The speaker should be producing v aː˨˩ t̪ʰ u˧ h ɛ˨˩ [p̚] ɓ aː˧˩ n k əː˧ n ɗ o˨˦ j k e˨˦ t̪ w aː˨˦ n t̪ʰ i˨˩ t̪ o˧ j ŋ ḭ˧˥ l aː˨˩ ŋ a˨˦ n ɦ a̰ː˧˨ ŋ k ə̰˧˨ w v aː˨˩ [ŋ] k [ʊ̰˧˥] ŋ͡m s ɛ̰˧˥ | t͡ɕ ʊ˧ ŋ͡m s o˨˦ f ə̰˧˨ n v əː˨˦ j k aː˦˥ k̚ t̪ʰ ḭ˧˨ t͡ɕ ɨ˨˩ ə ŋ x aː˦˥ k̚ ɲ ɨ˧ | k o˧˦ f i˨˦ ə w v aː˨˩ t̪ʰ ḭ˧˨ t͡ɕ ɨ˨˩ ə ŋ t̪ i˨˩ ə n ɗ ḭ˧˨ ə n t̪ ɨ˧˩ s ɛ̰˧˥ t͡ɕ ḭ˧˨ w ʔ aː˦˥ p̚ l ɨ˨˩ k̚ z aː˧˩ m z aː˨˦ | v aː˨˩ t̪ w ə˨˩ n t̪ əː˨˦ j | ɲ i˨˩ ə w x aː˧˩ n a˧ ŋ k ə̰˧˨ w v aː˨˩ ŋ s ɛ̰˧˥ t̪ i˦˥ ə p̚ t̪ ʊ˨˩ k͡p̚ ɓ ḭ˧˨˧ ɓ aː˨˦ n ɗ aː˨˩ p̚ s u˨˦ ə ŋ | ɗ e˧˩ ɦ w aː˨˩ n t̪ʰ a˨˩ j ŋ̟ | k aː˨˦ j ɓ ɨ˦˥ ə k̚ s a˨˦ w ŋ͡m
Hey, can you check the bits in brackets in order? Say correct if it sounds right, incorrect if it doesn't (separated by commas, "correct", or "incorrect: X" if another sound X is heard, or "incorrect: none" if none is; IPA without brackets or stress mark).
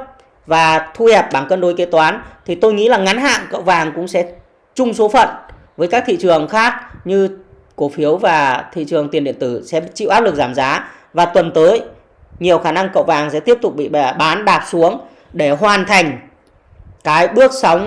correct, correct, correct